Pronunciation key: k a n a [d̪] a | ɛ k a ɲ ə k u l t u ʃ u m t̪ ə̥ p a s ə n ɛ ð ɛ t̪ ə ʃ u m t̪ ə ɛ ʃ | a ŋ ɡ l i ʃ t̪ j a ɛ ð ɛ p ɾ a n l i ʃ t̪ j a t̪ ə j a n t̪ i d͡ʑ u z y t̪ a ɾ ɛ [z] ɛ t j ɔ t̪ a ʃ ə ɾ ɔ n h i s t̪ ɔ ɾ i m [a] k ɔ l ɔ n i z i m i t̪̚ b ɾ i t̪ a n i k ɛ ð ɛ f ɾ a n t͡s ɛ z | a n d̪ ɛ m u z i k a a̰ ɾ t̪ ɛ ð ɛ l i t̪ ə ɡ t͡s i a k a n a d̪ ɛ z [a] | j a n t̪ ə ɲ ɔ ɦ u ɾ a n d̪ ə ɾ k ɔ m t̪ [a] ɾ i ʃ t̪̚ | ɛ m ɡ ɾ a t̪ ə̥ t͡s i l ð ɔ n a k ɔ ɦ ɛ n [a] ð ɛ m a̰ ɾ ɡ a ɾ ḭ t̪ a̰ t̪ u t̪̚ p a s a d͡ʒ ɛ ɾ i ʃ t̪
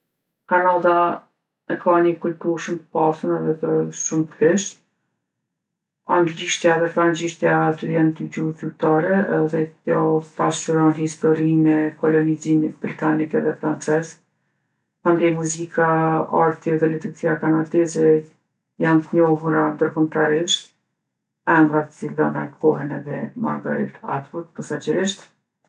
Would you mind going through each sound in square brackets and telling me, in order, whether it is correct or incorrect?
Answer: correct, incorrect, incorrect, incorrect, correct, incorrect

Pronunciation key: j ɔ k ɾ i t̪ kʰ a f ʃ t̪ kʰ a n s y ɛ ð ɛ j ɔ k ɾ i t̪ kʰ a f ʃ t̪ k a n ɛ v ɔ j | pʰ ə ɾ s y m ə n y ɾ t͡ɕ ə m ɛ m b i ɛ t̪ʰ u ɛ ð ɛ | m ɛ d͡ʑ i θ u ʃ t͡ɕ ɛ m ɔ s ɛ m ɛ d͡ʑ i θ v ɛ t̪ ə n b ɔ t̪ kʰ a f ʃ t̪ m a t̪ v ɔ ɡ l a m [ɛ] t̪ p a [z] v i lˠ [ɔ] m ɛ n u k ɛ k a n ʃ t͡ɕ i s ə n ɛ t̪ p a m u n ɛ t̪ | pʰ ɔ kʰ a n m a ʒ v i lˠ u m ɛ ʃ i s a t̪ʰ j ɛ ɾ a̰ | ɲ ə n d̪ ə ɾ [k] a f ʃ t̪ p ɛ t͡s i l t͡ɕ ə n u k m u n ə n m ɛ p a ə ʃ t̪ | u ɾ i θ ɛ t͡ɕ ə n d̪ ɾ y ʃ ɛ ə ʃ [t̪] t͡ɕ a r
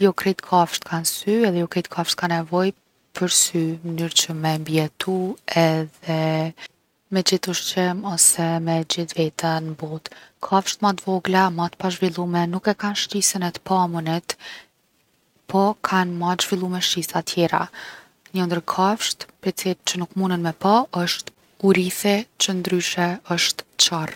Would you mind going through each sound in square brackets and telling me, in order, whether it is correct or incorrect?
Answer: incorrect, incorrect, incorrect, incorrect, correct

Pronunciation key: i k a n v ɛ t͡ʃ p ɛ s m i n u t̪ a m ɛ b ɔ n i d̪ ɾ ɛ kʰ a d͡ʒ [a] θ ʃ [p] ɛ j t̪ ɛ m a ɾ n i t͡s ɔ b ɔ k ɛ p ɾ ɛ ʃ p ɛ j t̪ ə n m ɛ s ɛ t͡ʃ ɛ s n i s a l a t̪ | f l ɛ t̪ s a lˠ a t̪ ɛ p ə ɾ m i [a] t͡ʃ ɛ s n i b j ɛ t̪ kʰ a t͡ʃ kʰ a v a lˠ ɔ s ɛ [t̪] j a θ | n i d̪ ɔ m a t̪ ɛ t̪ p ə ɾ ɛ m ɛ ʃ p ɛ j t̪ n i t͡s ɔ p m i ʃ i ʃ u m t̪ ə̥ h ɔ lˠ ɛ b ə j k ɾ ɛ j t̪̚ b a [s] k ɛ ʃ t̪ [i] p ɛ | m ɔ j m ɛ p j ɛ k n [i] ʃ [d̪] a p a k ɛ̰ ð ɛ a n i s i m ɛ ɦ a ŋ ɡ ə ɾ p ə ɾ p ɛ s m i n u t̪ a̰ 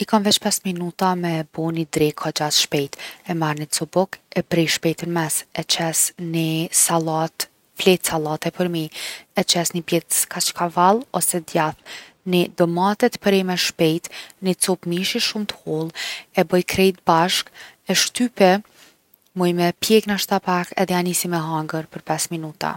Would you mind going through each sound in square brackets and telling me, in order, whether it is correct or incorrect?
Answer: correct, correct, incorrect, incorrect, incorrect, incorrect, incorrect, incorrect

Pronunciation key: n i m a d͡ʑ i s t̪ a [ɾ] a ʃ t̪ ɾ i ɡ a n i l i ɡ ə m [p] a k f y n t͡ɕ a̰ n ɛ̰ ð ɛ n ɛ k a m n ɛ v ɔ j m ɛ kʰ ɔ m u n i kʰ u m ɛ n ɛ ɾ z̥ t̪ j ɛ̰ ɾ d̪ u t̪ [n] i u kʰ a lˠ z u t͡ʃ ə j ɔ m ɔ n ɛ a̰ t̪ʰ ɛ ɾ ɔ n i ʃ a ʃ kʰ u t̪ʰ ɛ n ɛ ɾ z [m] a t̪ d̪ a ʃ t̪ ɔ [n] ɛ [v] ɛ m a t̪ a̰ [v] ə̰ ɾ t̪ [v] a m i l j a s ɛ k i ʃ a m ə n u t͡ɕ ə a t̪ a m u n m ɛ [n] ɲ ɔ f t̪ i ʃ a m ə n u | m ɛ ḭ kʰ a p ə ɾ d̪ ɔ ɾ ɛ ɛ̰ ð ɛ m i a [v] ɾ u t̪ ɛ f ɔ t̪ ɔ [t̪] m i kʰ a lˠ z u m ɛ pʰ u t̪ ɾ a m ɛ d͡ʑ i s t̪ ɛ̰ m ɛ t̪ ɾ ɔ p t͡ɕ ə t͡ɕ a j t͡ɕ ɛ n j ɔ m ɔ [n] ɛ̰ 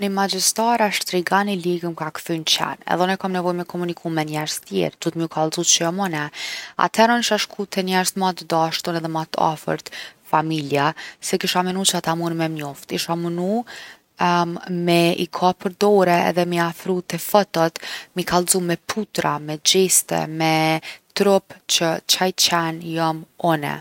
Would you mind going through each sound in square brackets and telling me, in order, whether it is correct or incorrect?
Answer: correct, incorrect, incorrect, correct, correct, incorrect, incorrect, incorrect, incorrect, incorrect, correct, correct

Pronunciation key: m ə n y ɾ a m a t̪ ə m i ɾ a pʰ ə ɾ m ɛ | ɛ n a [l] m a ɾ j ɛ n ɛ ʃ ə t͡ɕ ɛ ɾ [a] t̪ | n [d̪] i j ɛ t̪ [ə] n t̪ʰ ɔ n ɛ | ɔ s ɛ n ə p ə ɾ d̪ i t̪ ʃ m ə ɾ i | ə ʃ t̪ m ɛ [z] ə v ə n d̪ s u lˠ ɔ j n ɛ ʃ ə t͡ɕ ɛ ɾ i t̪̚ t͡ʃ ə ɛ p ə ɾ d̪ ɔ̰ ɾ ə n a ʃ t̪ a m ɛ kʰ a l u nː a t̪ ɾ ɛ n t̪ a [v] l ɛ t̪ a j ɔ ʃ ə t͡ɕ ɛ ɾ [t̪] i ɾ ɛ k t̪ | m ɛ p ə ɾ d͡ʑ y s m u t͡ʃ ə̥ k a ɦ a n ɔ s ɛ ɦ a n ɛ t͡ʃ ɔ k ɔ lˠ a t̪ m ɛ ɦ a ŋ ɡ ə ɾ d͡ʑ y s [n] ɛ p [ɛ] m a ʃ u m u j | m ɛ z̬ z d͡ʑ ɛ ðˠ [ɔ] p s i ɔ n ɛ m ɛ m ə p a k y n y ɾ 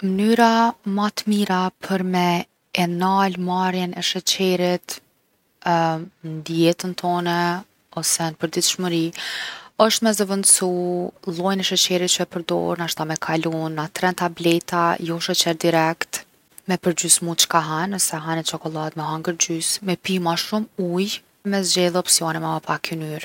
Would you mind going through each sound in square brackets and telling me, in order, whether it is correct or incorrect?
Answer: correct, incorrect, correct, correct, correct, incorrect, incorrect, incorrect, incorrect, correct

